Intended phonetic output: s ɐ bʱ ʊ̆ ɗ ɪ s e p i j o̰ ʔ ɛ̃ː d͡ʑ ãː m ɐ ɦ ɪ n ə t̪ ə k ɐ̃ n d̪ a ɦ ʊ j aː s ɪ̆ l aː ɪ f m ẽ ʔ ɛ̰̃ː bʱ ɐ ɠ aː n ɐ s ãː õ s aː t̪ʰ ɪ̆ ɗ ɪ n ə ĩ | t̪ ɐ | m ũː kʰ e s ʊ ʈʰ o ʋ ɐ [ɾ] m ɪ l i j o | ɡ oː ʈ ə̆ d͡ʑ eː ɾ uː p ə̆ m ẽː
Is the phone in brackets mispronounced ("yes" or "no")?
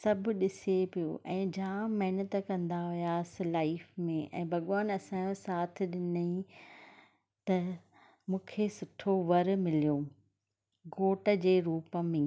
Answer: no